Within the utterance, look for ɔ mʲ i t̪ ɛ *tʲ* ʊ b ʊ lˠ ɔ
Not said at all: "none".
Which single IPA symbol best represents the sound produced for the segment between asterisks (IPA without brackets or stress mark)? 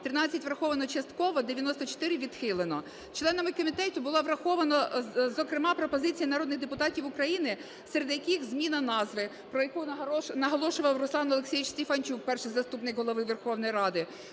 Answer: tʲ